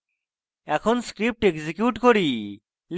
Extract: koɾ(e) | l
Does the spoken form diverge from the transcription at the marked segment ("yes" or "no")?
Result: yes